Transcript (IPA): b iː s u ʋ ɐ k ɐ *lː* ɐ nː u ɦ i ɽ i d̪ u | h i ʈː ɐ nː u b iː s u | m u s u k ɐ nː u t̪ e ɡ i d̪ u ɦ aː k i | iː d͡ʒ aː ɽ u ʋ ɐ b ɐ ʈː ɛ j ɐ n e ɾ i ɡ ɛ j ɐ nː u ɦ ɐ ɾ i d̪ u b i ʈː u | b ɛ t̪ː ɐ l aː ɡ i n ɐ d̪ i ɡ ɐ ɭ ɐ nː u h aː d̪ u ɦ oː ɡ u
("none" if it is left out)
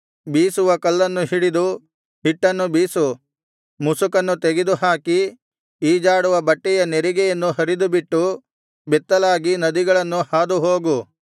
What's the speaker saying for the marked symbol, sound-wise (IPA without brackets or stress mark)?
lː